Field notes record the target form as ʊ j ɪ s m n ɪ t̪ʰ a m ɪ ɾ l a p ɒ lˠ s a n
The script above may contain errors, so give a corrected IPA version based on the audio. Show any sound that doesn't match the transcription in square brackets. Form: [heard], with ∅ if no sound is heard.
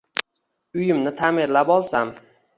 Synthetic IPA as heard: ʊ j ɪ [∅] m n ɪ t̪ʰ a m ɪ ɾ l a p ɒ lˠ s a [m]